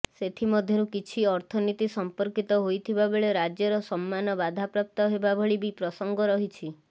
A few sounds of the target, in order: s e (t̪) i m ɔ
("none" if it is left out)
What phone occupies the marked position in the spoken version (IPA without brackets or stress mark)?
t̪ʰ